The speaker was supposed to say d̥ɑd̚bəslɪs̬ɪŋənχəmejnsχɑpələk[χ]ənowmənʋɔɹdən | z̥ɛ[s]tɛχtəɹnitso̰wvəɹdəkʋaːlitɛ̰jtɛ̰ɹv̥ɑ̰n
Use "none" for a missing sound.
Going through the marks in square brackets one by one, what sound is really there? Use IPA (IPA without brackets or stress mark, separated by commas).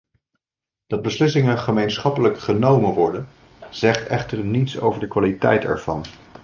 χ, χ